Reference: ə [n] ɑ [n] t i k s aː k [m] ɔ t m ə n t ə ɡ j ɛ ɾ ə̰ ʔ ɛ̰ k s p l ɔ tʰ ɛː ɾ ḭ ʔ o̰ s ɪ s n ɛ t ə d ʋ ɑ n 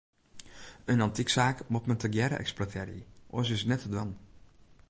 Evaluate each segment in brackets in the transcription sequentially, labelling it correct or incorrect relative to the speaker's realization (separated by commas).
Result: correct, correct, correct